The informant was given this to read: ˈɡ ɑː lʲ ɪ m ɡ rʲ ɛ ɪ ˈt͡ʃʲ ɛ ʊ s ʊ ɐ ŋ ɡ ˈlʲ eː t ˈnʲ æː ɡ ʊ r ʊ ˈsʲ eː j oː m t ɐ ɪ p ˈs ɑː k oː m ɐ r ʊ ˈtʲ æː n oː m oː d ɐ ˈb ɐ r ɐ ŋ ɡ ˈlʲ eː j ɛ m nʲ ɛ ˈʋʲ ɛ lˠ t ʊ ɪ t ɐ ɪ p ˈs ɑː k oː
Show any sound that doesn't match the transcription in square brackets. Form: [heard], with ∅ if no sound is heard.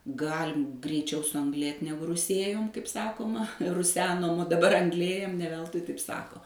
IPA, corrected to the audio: ˈɡ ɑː lʲ ɪ m ɡ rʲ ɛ ɪ ˈt͡ʃʲ ɛ ʊ s ʊ ɐ ŋ ɡ ˈlʲ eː t ˈnʲ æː ɡ ʊ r ʊ ˈsʲ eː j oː m [k] ɐ ɪ p ˈs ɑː k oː m ɐ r ʊ [ˈsʲ] æː n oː m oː d ɐ ˈb ɐ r ɐ ŋ ɡ ˈlʲ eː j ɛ m nʲ ɛ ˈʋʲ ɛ lˠ t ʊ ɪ t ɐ ɪ p ˈs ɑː k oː

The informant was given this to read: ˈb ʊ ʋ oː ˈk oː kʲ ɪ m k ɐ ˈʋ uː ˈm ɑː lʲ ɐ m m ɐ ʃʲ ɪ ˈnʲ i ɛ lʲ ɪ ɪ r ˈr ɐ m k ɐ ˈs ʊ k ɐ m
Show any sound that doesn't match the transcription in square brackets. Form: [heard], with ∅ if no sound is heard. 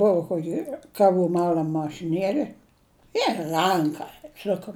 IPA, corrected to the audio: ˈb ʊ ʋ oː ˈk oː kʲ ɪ [∅] k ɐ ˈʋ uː ˈm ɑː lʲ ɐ m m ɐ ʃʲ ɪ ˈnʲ i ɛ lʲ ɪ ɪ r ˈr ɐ [ŋ] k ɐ ˈs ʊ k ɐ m

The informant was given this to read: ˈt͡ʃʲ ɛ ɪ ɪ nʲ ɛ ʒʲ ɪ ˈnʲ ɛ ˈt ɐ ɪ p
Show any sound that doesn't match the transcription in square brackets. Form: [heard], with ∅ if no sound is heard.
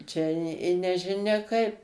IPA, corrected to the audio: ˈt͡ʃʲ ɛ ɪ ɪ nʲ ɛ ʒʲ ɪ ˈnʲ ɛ [ˈk] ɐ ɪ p

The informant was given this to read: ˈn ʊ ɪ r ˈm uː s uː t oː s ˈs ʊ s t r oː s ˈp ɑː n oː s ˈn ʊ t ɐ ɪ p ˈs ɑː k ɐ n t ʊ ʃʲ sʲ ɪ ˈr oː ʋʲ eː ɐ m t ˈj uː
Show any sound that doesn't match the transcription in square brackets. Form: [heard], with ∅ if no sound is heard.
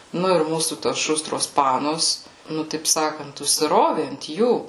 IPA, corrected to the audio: ˈn ʊ ɪ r ˈm uː s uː t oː s [ˈʃ] ʊ s t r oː s ˈp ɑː n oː s ˈn ʊ t ɐ ɪ p ˈs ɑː k ɐ n t ʊ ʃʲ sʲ ɪ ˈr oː ʋʲ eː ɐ [n] t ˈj uː

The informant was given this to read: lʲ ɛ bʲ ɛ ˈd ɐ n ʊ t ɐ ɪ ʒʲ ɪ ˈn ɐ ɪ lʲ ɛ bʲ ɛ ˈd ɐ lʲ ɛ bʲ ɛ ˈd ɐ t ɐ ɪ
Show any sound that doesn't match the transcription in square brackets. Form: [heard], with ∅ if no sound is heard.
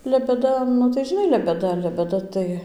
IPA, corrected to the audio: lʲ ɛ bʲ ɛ ˈd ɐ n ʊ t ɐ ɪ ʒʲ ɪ ˈn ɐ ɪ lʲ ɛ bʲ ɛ ˈd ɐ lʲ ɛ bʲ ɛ ˈd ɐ t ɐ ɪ

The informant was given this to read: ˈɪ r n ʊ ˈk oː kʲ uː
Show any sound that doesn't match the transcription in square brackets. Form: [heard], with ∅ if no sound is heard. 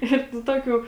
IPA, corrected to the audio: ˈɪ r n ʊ [ˈt] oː kʲ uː

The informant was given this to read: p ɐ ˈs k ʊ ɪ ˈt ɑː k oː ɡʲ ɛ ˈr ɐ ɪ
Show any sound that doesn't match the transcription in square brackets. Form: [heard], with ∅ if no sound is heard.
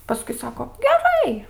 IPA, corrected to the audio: p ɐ ˈs k ʊ ɪ [ˈs] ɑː k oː ɡʲ ɛ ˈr ɐ ɪ

